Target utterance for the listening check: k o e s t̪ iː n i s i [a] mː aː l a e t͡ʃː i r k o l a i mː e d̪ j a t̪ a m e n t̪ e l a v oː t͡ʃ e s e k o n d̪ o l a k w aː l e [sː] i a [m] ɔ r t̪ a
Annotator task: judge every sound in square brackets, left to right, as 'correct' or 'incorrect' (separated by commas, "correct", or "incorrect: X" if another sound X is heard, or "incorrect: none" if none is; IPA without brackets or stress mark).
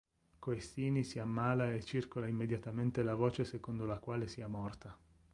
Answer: correct, incorrect: s, correct